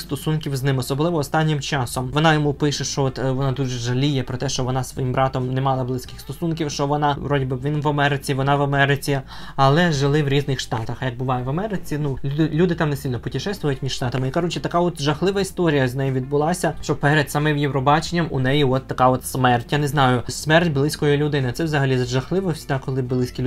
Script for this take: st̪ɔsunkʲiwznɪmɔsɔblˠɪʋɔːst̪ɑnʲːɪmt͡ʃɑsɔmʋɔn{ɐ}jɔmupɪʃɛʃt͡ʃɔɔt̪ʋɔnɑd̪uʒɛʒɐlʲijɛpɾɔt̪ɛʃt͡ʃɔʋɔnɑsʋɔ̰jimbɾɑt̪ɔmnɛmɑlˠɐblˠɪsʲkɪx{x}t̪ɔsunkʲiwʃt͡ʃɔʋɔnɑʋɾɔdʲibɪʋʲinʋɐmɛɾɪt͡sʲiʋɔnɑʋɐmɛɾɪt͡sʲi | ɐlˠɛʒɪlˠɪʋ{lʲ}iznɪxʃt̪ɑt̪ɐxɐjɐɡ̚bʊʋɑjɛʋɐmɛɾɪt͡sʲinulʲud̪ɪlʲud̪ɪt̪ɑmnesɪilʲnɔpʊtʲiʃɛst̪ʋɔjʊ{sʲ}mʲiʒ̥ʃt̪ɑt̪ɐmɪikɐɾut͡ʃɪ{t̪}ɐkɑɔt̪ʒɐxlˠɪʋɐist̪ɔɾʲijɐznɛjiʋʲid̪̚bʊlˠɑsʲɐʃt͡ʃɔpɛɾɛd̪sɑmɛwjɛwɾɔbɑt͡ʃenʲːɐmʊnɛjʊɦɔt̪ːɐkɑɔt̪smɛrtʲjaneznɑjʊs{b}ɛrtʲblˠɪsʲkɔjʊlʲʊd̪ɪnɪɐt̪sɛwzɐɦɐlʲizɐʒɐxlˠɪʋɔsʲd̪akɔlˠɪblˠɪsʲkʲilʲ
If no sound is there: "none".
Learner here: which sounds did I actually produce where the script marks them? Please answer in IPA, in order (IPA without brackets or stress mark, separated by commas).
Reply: ɑ, s, ɾʲ, tʲ, t̪, m